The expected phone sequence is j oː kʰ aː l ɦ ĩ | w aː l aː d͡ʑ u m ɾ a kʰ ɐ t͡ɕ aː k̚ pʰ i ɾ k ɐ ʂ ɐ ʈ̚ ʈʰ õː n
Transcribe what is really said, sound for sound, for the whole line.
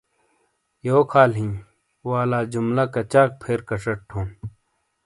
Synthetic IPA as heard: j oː kʰ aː l ɦ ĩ | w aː l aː d͡ʑ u m l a k ɐ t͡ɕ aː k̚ pʰ e ɾ k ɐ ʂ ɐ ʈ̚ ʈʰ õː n

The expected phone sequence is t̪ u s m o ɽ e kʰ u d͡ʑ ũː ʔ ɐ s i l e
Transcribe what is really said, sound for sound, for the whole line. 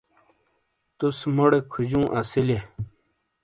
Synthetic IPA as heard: t̪ u s m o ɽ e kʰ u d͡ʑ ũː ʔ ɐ s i l e

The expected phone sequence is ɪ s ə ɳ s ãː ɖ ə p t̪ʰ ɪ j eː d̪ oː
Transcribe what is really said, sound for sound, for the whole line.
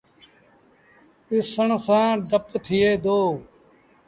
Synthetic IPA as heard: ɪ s ə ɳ s ãː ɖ ə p t̪ʰ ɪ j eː d̪ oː

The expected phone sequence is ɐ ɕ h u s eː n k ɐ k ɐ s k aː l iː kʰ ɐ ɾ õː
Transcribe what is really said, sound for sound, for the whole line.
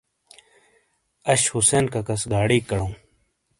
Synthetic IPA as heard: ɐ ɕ h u s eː n k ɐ k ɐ s ɡ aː ɽ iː k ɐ ɽ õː

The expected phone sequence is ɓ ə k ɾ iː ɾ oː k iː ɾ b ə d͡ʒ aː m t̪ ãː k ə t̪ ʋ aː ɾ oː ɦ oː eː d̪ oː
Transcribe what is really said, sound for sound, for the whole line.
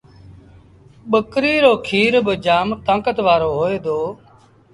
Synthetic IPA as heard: ɓ ə k ɾ iː ɾ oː kʰ iː ɾ b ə d͡ʒ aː m t̪ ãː k ə t̪ ʋ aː ɾ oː ɦ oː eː d̪ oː

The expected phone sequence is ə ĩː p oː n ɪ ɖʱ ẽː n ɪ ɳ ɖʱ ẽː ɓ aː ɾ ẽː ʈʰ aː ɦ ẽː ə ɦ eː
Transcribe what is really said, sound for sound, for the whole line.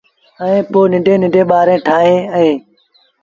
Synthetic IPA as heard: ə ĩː p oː n ɪ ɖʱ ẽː n ɪ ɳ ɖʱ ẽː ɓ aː ɾ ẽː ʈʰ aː ɦ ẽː ə ɦ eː

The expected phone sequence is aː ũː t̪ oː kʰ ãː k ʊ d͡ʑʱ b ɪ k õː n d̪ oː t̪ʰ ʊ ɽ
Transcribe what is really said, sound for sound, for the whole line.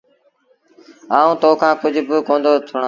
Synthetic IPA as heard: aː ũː t̪ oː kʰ ãː k ʊ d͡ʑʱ b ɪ k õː n d̪ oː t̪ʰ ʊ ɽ

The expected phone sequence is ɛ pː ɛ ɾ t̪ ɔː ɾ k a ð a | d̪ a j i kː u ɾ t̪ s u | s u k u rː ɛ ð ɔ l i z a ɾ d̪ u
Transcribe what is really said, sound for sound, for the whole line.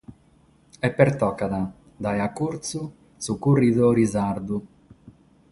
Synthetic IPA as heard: ɛ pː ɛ ɾ t̪ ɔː k a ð a | d̪ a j a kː u ɾ t̪ s u | s u k u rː i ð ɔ ɾ i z a ɾ d̪ u

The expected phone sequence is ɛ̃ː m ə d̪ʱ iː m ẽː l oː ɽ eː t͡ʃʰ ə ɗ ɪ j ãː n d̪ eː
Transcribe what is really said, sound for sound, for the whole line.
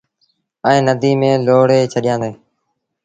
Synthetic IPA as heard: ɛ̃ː n ə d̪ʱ iː m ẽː l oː ɽ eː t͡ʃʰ ə ɗ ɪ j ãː n d̪ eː

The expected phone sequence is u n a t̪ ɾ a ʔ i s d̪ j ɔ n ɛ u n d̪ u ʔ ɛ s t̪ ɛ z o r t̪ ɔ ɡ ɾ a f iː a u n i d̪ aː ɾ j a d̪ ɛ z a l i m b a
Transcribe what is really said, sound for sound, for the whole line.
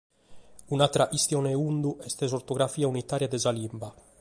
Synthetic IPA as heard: u n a t̪ ɾ a ʔ i s t̪ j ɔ n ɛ u n d̪ u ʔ ɛ s t̪ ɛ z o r t̪ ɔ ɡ ɾ a f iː a u n i t̪ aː ɾ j a d̪ ɛ z a l i m b a

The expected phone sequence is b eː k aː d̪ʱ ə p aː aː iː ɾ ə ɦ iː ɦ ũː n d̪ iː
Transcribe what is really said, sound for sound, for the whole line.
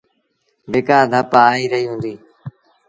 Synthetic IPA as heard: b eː k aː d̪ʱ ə p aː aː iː ɾ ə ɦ iː ɦ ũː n d̪ iː

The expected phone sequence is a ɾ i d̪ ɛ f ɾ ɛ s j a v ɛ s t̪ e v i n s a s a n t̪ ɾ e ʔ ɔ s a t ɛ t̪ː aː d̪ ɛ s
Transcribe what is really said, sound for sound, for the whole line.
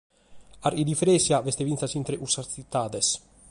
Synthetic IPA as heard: a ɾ i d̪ i f ɾ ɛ s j a v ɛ s t̪ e v i n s a s i n t̪ ɾ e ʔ u s a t i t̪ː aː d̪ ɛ s

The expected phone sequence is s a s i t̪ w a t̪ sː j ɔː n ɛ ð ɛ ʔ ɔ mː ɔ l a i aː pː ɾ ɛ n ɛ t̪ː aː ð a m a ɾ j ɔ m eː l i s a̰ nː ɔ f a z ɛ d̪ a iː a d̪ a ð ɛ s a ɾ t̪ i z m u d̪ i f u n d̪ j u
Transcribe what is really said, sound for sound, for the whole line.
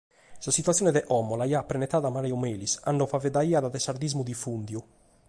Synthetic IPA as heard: s a s i t̪ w a t̪ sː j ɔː n ɛ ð ɛ ʔ ɔ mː ɔ l a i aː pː ɾ ɛ n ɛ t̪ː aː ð a m a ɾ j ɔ m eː l i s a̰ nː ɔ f a v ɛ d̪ a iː a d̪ a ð ɛ s a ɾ d̪ i z m u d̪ i f u n d̪ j u

